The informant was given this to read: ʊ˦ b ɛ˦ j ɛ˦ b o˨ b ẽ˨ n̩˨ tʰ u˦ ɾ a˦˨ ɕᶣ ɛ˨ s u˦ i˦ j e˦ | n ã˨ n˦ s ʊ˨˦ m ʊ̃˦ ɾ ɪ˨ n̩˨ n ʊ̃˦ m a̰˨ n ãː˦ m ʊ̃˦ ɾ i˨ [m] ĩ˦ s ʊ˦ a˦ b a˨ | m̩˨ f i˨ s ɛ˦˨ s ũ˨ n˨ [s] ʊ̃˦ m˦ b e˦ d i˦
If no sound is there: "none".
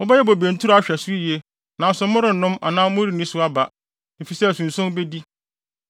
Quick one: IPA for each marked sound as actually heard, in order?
n, s

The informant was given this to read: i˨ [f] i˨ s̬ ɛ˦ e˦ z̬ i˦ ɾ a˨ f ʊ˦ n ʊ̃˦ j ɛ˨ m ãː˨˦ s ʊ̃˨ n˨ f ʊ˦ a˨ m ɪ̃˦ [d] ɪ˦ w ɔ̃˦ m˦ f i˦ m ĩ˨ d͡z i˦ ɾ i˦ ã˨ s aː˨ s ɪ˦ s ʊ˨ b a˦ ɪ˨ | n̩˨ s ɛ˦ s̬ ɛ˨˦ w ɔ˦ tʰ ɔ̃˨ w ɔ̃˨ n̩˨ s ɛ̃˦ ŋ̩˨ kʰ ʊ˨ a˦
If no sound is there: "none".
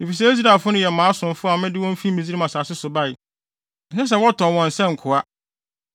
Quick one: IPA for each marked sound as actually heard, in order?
f, d

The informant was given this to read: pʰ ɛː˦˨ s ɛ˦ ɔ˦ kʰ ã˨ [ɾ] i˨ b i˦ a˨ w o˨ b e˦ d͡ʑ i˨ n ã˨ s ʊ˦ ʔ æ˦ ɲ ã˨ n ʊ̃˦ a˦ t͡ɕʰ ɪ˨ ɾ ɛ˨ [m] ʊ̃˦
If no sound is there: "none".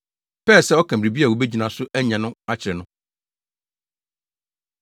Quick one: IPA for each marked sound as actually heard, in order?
ɾ, n

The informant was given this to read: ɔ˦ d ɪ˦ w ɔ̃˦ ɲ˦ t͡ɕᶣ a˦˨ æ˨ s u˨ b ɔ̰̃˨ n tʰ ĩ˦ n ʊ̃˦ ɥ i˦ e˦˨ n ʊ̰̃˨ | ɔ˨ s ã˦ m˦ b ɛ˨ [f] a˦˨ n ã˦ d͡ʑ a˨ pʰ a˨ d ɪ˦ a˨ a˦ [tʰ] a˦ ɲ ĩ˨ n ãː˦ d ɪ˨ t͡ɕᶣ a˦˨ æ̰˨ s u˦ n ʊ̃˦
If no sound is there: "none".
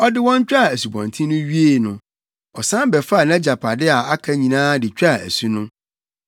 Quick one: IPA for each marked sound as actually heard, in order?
f, kʰ

